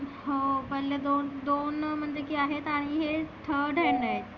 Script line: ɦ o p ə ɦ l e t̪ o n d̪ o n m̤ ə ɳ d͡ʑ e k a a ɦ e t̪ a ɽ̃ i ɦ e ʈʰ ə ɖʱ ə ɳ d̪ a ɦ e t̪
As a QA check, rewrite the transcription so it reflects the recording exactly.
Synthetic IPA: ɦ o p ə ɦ l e d̪ o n d̪ o n m̤ ə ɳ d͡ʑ e k i a ɦ e t̪ a ɽ̃ i ɦ e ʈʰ ə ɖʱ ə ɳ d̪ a ɦ e t̪